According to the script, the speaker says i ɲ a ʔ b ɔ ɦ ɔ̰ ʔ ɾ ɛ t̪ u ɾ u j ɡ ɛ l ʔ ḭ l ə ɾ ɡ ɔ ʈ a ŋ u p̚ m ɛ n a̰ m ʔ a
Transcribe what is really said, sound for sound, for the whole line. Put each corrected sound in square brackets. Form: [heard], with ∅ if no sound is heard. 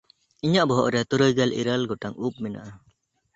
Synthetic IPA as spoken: i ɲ a ʔ b ɔ ɦ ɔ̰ ʔ ɾ ɛ t̪ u ɾ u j ɡ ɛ l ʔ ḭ [ɾ] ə [l] ɡ ɔ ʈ a ŋ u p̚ m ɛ n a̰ [∅] ʔ a